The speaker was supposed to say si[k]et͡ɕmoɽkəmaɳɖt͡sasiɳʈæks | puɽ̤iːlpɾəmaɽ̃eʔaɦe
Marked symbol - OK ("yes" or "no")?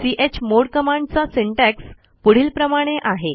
no